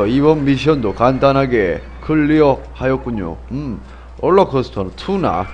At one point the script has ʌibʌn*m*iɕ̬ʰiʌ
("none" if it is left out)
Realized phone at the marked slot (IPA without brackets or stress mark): m